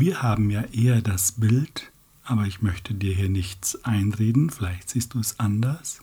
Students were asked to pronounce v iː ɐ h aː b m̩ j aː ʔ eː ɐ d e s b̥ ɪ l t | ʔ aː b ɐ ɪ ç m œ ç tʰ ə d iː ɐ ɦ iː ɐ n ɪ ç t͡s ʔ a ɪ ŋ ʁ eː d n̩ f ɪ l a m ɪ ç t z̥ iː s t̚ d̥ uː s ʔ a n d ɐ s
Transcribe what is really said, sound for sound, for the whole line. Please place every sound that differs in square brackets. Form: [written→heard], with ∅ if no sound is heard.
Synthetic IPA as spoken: v iː ɐ h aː b m̩ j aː ʔ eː ɐ d [e→a] s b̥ ɪ l t | ʔ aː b ɐ ɪ ç m œ ç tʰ ə d iː ɐ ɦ iː ɐ n ɪ ç t͡s ʔ a ɪ [ŋ→n] ʁ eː d n̩ f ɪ l a [m→∅] ɪ ç t z̥ iː s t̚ d̥ uː s ʔ a n d ɐ s